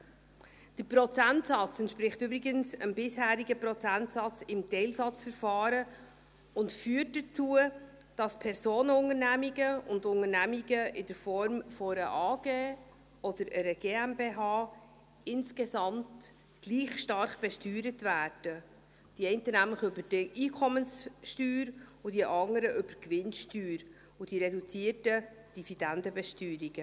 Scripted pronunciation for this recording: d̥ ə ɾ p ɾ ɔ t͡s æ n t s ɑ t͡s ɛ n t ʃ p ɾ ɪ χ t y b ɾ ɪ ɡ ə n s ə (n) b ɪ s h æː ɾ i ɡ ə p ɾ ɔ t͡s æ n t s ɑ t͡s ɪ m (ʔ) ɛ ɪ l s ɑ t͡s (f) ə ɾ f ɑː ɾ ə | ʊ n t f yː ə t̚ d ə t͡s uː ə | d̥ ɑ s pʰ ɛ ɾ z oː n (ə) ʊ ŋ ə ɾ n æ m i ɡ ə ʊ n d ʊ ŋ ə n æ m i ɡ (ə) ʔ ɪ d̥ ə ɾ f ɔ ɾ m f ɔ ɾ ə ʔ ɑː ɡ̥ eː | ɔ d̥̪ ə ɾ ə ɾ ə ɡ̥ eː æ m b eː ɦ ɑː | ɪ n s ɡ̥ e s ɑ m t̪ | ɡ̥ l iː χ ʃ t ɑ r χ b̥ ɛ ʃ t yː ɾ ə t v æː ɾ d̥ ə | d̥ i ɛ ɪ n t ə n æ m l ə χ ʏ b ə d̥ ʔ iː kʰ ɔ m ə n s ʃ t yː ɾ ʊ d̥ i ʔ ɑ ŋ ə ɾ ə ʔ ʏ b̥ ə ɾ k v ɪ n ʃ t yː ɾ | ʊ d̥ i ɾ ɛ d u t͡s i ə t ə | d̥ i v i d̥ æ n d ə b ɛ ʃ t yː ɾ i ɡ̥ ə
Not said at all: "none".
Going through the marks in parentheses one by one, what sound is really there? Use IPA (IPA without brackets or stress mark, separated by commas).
m, t, f, ə, ə